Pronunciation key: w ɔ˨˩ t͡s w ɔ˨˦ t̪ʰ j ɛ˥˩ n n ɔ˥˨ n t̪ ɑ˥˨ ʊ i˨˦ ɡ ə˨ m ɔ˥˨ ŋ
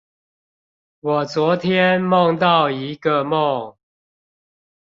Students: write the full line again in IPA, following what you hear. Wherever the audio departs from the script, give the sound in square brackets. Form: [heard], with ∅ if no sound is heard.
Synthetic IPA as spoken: w ɔ˨˩ t͡s w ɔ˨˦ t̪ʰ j [ɛ˦] n [m] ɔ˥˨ [ŋ] t̪ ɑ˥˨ ʊ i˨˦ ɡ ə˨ m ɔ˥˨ ŋ